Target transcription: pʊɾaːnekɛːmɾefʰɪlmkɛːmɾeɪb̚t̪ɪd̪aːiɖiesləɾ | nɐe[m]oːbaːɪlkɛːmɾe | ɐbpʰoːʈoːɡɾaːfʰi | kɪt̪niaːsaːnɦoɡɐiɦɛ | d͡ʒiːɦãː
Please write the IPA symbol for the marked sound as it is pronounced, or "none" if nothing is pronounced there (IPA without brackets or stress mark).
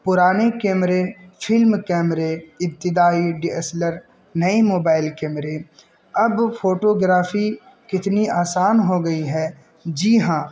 m